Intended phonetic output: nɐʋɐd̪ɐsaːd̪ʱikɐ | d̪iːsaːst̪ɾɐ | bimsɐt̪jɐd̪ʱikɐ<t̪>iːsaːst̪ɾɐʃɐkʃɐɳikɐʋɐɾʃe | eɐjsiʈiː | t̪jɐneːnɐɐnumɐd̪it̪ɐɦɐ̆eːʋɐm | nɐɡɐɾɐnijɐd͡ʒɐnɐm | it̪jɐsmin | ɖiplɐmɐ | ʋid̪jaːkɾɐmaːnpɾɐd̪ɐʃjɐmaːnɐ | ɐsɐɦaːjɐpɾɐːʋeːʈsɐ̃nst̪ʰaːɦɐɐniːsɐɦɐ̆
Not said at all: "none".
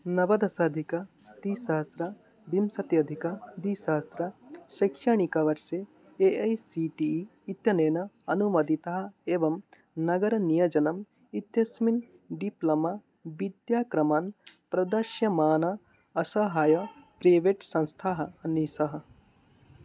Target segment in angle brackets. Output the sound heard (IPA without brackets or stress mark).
d̪